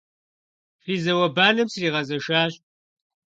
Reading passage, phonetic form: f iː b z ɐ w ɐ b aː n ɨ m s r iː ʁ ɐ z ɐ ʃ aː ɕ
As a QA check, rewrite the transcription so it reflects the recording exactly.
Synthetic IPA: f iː z ɐ w ɐ b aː n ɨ m s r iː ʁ ɐ z ɐ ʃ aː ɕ